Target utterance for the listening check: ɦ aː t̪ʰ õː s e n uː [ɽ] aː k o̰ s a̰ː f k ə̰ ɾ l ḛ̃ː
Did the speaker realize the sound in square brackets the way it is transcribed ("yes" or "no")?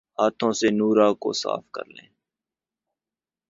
no